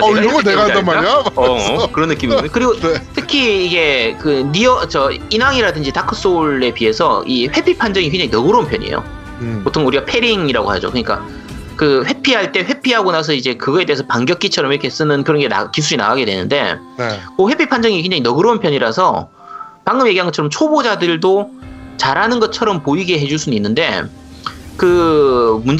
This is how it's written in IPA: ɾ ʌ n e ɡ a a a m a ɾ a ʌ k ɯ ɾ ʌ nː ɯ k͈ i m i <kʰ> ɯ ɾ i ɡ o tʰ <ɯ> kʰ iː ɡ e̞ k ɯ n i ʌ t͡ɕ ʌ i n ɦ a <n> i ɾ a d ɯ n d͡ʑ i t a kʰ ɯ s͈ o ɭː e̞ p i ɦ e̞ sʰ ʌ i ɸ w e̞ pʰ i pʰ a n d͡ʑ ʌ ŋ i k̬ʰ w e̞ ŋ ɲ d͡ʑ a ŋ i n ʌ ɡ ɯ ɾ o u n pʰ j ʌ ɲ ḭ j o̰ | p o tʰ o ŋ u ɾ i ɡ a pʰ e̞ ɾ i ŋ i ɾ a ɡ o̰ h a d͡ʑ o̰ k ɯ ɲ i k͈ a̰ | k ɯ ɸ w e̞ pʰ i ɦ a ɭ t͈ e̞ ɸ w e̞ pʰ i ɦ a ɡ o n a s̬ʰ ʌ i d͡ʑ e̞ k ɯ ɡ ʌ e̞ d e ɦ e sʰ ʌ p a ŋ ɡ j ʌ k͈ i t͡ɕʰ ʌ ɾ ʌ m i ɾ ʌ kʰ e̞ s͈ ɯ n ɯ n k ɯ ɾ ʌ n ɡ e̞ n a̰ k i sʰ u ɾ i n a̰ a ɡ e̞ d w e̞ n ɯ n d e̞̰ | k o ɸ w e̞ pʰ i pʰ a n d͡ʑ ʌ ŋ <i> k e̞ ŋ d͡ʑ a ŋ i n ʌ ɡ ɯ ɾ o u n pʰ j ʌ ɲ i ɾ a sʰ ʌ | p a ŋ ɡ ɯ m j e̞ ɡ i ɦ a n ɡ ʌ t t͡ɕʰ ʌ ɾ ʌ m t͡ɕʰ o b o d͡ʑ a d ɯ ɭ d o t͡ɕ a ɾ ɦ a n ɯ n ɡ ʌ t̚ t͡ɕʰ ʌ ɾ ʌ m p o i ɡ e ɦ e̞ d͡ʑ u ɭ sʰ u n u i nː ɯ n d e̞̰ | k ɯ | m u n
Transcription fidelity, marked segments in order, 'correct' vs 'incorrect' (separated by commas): incorrect, correct, incorrect, correct